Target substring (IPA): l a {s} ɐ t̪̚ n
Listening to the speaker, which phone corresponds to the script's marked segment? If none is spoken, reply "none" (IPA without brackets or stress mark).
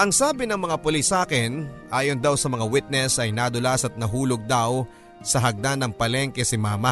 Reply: s